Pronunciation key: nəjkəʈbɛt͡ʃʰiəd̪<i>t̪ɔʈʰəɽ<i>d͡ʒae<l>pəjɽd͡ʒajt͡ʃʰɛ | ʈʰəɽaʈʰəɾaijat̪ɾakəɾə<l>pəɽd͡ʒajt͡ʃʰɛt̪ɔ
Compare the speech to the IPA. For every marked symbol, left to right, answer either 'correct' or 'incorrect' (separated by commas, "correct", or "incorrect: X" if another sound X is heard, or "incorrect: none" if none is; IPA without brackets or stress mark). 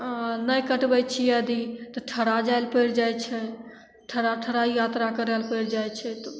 correct, incorrect: a, correct, correct